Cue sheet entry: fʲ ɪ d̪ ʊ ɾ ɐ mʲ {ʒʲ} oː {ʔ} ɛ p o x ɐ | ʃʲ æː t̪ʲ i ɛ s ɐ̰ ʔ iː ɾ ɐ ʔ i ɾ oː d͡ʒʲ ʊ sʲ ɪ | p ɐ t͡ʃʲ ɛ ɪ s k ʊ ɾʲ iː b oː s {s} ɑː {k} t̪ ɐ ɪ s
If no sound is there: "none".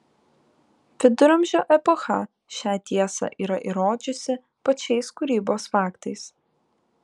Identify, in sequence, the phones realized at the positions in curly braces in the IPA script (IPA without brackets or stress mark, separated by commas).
ʒʲ, ʔ, f, k